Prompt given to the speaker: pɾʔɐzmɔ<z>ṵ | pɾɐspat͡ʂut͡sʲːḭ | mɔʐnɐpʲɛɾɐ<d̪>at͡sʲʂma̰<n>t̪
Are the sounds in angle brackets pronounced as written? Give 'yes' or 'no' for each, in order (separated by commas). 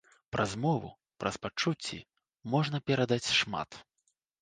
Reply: no, yes, no